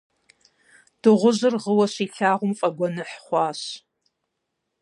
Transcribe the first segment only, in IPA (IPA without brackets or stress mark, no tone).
d̥